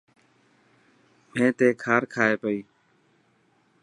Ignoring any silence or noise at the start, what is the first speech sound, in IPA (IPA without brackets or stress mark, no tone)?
m